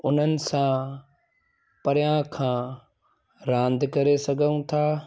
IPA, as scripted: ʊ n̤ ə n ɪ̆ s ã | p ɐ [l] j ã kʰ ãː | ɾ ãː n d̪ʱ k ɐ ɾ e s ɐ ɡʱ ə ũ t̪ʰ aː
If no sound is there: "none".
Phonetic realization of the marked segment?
ɾ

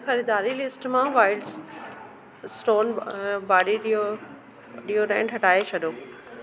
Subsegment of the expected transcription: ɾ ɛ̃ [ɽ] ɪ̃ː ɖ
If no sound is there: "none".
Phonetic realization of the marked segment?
none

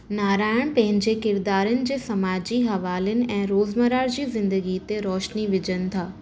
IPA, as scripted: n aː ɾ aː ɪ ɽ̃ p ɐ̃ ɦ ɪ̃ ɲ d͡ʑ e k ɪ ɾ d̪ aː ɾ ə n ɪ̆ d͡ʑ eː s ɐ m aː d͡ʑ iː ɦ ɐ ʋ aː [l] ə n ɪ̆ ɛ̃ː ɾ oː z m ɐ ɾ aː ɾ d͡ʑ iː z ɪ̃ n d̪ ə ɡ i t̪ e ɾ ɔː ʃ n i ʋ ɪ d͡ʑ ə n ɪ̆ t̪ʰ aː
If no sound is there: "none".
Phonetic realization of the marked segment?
l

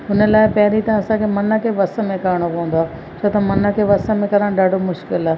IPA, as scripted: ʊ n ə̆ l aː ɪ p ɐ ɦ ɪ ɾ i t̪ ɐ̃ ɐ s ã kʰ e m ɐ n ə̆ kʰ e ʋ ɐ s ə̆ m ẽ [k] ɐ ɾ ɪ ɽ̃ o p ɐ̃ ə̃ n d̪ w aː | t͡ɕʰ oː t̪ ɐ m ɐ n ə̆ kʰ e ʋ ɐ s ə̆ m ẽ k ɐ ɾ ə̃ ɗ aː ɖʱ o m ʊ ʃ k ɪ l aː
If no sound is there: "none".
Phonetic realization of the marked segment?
k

